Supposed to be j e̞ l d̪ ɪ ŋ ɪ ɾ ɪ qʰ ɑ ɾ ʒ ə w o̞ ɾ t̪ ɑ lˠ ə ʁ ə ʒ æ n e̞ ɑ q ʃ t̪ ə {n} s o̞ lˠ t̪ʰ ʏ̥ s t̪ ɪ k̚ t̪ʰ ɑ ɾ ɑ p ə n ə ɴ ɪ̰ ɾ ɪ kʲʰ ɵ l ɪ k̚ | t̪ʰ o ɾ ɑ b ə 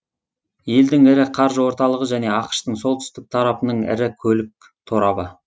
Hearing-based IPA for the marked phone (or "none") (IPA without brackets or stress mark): ɴ